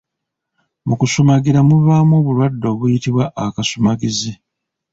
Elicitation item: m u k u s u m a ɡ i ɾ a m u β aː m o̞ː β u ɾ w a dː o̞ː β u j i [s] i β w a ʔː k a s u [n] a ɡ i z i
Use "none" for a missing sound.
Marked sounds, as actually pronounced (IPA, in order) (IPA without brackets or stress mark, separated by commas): t, m